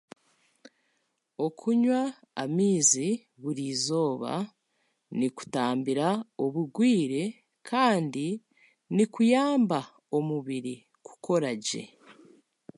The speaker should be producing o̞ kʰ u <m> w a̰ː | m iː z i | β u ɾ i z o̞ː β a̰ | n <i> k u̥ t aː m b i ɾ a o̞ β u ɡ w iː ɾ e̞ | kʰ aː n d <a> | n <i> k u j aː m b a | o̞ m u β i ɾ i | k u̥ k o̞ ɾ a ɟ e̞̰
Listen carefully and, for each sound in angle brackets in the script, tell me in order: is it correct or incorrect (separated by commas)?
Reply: incorrect, correct, incorrect, correct